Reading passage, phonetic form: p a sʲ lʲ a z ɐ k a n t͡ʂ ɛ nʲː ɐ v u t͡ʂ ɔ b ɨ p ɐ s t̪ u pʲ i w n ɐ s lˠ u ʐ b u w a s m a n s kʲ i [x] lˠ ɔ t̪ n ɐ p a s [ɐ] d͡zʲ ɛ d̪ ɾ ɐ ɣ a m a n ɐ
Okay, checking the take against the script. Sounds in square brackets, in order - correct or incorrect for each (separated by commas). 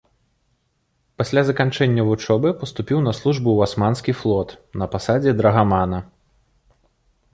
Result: incorrect, incorrect